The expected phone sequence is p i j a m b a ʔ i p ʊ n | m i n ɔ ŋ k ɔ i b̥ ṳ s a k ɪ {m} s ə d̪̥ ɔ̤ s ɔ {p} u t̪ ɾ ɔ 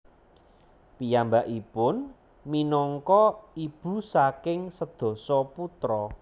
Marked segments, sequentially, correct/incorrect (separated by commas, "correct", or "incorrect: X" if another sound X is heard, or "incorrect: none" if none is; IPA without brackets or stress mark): incorrect: ŋ, correct